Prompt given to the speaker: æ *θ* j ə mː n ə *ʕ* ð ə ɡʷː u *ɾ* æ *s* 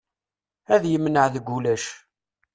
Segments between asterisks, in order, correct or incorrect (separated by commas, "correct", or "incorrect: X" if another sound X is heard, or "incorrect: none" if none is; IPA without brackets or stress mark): incorrect: ð, correct, incorrect: l, incorrect: ʃ